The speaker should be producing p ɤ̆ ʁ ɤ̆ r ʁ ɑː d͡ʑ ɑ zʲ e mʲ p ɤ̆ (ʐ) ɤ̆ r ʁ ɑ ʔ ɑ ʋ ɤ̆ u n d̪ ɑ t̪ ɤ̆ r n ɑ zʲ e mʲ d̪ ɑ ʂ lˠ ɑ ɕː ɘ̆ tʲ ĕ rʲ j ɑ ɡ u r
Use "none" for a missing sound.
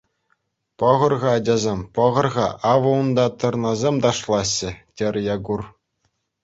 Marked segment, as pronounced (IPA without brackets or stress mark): ʁ